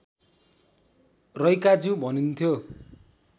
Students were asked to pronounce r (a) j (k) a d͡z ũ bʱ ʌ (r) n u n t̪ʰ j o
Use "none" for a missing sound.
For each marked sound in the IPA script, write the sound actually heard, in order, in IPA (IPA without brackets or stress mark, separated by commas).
ʌ, k, none